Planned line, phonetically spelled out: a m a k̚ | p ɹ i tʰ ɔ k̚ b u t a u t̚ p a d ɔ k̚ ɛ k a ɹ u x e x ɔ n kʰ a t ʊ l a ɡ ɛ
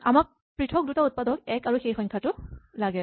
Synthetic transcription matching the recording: a m a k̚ | p ɹ i tʰ ɔ k̚ d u t a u t̚ p a d ɔ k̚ ɛ k a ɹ u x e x ɔ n kʰ a t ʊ l a ɡ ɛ